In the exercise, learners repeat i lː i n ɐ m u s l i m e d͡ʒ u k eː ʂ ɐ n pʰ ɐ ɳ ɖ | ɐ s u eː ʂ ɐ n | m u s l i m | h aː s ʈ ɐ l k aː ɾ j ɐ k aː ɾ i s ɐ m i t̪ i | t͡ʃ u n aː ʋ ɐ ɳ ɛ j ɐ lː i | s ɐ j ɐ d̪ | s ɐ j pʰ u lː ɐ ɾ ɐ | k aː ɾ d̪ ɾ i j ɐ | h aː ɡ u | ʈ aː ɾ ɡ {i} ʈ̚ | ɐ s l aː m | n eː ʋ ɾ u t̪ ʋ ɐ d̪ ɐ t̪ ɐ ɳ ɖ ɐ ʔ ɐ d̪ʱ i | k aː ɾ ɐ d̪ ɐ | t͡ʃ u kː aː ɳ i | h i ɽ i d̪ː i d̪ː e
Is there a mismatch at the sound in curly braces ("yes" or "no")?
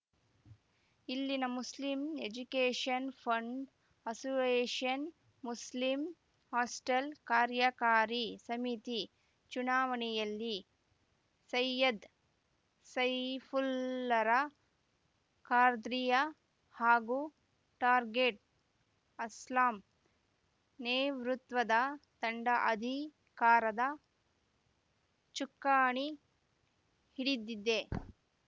yes